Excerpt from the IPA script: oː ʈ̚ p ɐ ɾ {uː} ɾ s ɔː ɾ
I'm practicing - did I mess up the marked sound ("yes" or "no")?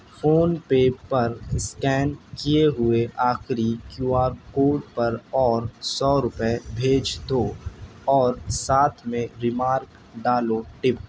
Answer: yes